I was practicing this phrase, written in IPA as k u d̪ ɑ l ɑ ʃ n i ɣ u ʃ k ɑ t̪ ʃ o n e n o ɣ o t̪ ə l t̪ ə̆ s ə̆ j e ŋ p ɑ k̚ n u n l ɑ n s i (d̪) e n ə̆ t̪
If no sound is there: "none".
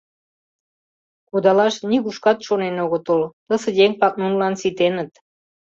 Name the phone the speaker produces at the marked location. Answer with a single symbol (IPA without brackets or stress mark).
t̪